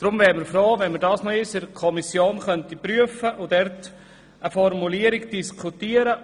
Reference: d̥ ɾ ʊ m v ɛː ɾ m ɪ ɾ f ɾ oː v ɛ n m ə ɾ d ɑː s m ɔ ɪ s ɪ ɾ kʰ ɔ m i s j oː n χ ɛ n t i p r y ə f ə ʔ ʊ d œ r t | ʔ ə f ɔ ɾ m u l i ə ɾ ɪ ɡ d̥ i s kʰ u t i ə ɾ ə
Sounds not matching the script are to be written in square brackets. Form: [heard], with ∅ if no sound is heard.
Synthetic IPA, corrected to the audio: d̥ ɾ ʊ m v ɛː ɾ m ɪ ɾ f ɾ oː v ɛ n m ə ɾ d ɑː s [n] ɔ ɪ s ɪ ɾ kʰ ɔ m i s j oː n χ [œ] n t i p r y ə f ə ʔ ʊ d [ɛ] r t | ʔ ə f ɔ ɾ m u l i ə ɾ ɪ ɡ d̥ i s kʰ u t i ə ɾ ə